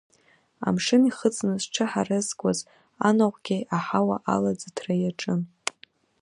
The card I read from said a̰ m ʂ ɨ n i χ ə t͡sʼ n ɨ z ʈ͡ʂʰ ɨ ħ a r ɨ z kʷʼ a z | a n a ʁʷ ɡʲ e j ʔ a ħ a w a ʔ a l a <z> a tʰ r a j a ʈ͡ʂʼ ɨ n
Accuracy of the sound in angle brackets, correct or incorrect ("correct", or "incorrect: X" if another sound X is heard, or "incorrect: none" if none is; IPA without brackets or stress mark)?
incorrect: d͡z